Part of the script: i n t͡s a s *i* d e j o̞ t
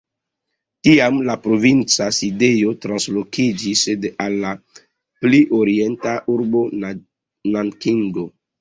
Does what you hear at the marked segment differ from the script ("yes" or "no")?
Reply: no